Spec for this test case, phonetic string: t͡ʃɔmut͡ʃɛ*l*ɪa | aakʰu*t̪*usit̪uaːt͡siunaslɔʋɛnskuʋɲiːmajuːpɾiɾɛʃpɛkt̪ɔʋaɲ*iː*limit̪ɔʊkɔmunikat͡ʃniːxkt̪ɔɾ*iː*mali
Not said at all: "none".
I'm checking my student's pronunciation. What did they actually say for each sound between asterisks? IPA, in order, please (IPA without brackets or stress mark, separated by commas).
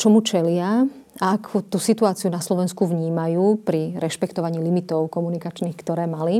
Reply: l, t̪, iː, ɛː